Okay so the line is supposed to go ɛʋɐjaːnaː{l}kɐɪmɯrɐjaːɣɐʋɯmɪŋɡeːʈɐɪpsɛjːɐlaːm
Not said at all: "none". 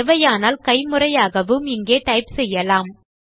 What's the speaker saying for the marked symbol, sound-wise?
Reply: l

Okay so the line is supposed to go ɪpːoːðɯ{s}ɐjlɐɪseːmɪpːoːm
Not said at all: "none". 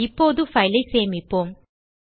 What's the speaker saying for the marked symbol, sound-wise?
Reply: f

